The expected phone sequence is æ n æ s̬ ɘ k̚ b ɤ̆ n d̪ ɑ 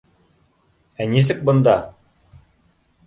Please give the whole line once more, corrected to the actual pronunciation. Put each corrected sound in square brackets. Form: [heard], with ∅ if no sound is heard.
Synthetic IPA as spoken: æ n [i] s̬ ɘ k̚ b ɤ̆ n d̪ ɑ